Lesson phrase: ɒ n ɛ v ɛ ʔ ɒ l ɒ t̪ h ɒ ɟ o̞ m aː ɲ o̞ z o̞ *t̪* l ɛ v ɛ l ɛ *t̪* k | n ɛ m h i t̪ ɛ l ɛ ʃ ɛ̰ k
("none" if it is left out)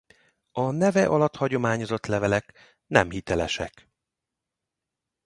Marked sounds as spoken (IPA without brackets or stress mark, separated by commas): t̪, none